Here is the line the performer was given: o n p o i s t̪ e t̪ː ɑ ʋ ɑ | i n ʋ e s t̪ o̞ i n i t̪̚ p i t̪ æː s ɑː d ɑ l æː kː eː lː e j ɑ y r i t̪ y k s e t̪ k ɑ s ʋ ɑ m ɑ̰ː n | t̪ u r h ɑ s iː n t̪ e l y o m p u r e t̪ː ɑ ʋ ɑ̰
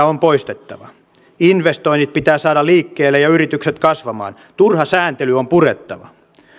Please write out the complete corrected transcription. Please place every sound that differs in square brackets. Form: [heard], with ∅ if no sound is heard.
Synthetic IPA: o [m] p o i s t̪ e t̪ː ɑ ʋ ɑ | i n ʋ e s t̪ o̞ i n i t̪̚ p i t̪ æː s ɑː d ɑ l [iː] kː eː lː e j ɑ y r i t̪ y k s e t̪ k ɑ s ʋ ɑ m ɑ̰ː n | t̪ u r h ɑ s [æː] n t̪ e l y o m p u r e t̪ː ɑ ʋ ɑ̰

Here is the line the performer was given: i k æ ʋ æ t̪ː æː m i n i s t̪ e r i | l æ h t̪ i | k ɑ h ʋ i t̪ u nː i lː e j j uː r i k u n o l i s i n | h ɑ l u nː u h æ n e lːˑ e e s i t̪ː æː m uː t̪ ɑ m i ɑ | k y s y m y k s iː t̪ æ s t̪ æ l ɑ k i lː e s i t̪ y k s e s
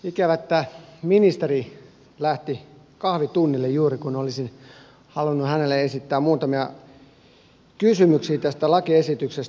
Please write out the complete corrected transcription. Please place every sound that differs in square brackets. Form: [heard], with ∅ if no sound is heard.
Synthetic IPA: i k æ ʋ æ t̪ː æː m i n i s t̪ e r i | l æ h t̪ i | k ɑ h ʋ i t̪ u nː i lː e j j uː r i k u n o l i s i n | h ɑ l u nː u h æ n e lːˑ e e s i t̪ː æː m uː t̪ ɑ m i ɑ | k y s y m y k s iː t̪ æ s t̪ æ l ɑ k i [∅] e s i t̪ y k s e s

